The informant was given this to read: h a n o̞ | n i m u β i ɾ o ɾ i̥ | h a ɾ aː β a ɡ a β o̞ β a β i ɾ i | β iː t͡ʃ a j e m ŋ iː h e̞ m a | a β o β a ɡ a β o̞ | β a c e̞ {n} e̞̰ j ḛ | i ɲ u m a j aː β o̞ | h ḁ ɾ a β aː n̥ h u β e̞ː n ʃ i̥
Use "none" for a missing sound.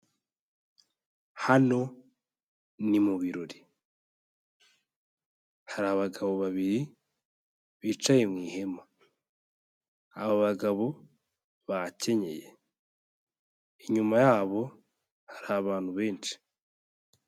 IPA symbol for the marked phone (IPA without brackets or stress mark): ɲ